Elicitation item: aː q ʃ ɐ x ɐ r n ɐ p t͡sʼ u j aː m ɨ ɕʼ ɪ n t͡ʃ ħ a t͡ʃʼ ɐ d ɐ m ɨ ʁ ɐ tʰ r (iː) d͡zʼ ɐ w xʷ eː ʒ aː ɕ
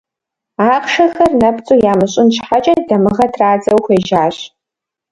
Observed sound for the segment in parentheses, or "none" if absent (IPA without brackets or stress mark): aː